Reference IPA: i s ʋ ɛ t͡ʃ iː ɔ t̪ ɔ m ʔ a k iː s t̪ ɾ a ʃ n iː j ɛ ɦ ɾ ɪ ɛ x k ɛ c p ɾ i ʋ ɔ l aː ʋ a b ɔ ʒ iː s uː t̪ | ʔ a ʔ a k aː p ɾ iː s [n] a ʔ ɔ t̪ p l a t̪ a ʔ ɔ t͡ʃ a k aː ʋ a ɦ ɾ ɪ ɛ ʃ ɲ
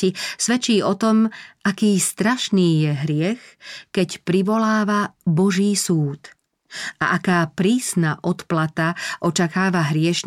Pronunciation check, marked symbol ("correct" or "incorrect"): correct